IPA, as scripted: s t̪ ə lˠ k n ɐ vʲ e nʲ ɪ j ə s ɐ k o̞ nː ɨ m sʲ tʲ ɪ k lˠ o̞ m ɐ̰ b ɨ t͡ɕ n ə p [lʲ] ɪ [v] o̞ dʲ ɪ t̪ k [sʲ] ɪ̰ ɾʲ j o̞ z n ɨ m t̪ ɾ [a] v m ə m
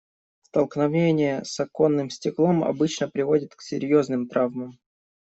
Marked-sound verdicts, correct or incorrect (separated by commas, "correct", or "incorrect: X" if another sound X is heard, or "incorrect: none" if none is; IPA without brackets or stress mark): incorrect: ɾʲ, correct, correct, correct